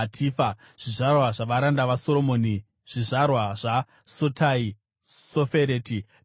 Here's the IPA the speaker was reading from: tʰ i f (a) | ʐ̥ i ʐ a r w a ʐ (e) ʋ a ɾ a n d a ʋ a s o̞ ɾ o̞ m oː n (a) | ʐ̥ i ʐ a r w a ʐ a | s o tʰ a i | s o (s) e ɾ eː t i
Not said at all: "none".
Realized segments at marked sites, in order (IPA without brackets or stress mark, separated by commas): a, a, i, f